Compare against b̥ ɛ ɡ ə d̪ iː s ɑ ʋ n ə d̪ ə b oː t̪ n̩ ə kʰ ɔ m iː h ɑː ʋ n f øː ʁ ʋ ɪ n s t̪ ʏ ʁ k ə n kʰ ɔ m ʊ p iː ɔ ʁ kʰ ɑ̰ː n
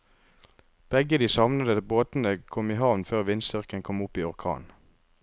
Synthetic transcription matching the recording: b̥ ɛ ɡ ə d̪ iː s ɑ ʋ n ə d̪ ə b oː t̪ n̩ ə kʰ ɔ m iː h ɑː ʋ n f øː ʁ ʋ ɪ n s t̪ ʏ ʁ k ə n kʰ ɔ m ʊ p iː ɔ ʁ kʰ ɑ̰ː n